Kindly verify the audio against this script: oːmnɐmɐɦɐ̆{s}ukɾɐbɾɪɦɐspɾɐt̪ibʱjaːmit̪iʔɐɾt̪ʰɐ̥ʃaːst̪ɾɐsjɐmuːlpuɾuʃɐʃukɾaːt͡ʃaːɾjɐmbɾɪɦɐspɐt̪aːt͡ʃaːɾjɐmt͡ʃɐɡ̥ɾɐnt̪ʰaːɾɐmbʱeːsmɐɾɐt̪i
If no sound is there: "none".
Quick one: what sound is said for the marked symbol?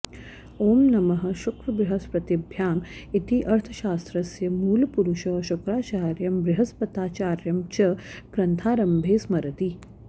ʃ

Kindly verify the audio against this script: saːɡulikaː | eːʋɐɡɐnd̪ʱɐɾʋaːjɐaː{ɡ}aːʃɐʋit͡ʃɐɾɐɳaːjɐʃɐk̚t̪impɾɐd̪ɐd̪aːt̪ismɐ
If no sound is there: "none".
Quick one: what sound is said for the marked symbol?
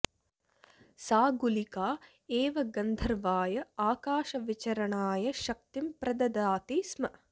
k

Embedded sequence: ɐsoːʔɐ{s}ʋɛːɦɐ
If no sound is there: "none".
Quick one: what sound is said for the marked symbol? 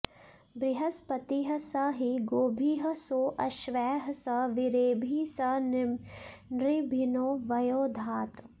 ʃ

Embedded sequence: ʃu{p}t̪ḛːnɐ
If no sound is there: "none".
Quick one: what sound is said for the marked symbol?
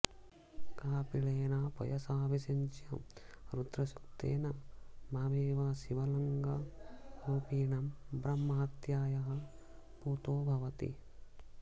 k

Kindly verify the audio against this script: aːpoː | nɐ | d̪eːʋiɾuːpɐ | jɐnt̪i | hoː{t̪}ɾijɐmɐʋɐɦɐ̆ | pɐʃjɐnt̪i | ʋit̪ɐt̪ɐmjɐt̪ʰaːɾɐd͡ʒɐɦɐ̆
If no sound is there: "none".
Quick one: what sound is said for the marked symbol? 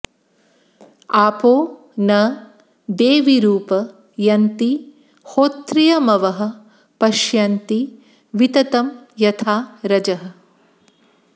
t̪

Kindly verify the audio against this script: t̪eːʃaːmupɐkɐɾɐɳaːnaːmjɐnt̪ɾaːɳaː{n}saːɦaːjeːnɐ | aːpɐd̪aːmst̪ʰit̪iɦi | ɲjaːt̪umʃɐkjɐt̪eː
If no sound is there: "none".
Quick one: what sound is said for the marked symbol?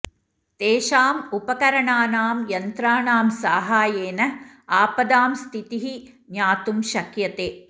m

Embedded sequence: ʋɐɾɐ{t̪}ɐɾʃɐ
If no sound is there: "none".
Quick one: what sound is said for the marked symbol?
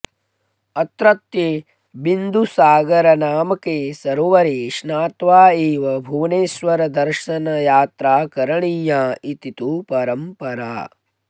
d̪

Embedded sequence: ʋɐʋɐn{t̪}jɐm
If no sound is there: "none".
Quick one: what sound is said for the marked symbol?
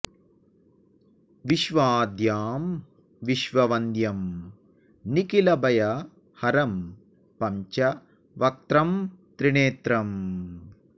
d̪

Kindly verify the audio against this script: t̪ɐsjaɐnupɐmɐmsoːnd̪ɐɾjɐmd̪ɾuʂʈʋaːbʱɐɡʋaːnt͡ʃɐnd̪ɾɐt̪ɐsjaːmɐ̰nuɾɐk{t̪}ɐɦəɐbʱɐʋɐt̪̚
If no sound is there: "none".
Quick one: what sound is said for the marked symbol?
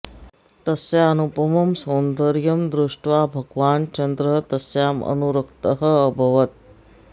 t̪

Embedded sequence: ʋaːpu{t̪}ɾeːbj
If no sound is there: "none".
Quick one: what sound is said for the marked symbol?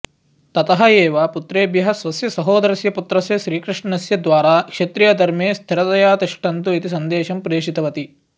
t̪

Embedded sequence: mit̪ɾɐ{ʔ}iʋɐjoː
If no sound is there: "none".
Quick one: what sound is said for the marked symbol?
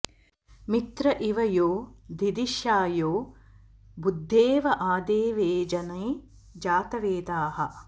ʔ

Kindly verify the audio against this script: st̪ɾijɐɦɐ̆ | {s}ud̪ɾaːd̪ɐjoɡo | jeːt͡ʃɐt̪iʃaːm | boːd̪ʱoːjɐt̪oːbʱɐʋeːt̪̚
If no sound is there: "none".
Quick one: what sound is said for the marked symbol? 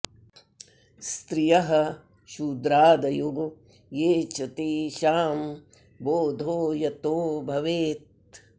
ʃ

